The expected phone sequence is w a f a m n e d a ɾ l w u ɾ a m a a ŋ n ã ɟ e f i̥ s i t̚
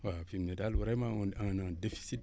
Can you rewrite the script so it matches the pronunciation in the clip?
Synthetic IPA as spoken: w a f i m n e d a l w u ɾ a m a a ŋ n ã d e f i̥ s i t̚